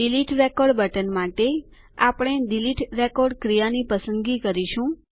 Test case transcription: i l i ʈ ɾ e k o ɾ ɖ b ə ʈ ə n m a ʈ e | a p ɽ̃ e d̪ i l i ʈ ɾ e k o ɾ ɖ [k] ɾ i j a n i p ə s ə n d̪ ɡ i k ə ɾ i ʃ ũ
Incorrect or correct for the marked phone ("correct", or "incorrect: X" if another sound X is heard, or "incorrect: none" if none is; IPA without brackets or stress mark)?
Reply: correct